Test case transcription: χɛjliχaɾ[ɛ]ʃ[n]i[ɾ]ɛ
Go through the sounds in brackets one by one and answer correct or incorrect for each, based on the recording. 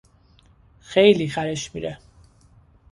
correct, incorrect, correct

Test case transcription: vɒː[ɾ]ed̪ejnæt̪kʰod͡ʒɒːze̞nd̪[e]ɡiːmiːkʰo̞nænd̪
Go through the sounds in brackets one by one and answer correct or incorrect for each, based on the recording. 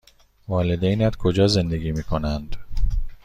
incorrect, correct

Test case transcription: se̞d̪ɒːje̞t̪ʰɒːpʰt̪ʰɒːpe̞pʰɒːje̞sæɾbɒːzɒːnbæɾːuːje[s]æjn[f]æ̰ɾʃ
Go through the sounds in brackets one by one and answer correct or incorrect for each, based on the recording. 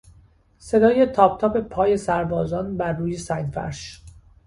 correct, correct

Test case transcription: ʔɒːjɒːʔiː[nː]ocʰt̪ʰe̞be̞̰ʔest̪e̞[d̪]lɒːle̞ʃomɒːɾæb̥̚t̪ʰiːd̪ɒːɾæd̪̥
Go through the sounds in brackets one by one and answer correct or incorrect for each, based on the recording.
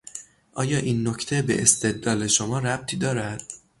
correct, correct

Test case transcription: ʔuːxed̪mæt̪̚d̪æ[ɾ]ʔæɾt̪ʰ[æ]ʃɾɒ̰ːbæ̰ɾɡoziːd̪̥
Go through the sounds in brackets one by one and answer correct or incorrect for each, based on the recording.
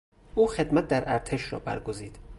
correct, incorrect

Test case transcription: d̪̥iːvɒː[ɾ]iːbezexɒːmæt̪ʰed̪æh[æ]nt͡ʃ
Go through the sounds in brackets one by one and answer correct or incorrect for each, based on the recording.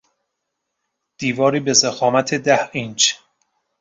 correct, incorrect

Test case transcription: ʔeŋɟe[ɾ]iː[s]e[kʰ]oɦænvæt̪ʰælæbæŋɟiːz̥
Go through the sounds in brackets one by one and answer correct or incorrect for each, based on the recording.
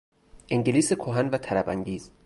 incorrect, correct, correct

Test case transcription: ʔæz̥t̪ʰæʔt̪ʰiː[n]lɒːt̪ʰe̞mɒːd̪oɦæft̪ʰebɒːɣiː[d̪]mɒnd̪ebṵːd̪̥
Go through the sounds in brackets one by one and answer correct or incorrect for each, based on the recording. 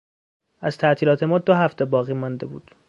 incorrect, incorrect

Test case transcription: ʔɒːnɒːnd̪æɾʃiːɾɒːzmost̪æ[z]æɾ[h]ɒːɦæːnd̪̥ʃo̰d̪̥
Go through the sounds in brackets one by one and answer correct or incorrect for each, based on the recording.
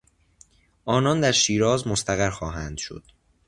incorrect, incorrect

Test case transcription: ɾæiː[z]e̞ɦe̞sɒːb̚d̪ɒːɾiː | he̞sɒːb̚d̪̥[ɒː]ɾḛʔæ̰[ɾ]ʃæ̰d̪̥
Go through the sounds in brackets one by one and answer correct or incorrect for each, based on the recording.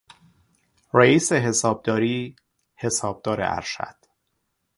incorrect, correct, correct

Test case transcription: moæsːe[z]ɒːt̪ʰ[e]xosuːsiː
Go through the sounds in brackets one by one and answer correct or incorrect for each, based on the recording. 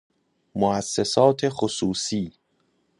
incorrect, correct

